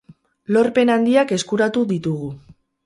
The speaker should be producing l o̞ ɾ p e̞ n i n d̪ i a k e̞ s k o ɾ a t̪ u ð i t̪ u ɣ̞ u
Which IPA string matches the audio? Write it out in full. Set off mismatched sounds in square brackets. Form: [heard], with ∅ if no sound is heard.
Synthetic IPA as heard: l o̞ ɾ p e̞ n [a] n d̪ i a k e̞ s k [u] ɾ a t̪ u ð i t̪ u ɣ̞ u